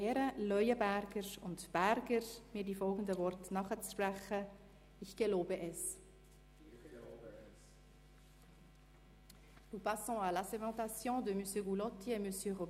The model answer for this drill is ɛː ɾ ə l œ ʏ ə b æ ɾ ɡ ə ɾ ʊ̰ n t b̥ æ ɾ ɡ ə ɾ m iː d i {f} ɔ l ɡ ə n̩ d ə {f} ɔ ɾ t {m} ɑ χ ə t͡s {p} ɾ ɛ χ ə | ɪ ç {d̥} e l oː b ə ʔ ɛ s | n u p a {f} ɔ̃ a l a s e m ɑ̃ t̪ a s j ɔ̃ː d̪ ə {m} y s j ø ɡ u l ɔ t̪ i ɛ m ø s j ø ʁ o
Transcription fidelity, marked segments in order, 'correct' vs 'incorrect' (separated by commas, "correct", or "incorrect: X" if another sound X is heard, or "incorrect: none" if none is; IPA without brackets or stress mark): correct, incorrect: v, incorrect: n, correct, incorrect: ɡ̥, incorrect: s, correct